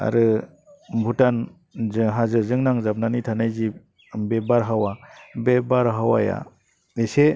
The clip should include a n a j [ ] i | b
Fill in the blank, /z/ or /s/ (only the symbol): z